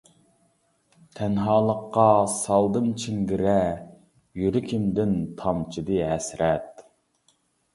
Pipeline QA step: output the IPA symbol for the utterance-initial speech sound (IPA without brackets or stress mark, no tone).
t̪ʰ